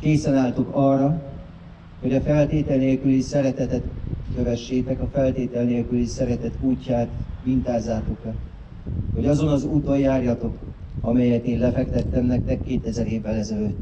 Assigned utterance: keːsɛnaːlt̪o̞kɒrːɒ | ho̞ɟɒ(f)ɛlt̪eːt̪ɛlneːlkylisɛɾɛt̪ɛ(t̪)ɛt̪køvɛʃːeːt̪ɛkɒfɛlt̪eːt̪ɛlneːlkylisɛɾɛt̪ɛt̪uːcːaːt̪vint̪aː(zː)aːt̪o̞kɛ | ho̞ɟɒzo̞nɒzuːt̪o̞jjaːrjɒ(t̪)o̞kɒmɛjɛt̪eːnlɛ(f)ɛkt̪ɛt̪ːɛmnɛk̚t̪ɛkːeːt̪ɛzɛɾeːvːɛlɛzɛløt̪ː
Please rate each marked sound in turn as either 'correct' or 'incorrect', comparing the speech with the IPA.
correct, correct, correct, correct, correct

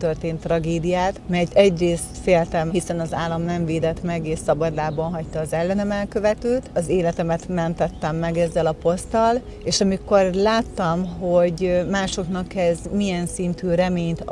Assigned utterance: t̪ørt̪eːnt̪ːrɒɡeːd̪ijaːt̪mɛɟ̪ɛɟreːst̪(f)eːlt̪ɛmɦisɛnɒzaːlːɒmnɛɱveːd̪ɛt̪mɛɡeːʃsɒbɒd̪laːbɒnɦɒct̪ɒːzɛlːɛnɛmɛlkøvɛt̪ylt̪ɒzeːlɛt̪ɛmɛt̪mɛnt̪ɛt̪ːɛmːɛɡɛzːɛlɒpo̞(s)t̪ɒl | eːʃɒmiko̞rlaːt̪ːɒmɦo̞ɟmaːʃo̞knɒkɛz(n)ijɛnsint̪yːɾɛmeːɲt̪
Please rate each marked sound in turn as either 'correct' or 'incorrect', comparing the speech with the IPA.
correct, correct, incorrect: m

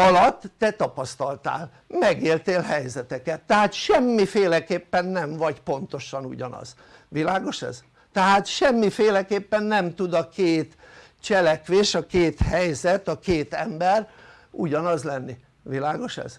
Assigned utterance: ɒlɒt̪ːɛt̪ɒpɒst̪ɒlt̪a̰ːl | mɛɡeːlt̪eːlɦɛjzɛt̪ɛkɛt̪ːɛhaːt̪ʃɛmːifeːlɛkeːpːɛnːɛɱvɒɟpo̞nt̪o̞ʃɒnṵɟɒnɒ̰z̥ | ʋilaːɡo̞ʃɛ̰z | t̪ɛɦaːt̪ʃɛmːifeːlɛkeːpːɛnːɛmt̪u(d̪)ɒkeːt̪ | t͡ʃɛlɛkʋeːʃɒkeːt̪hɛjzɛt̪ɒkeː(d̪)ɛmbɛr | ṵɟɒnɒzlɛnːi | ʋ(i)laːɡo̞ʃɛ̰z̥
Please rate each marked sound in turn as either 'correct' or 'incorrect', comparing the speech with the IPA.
correct, incorrect: t̪, correct

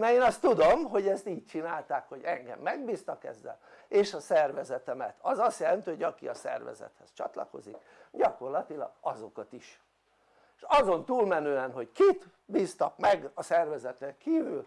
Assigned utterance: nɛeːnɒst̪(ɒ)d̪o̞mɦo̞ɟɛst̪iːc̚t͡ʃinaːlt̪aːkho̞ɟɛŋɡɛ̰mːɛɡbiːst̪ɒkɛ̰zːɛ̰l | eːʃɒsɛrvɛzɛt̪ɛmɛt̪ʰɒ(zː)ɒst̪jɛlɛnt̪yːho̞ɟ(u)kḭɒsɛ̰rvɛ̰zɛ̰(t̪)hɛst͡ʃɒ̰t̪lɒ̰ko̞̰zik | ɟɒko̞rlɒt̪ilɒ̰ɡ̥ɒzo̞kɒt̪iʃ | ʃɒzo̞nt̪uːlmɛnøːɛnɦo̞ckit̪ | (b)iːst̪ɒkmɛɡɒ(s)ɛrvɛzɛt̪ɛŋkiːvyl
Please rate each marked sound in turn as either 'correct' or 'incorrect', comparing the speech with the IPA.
incorrect: u, incorrect: z, incorrect: ɒ, correct, correct, correct

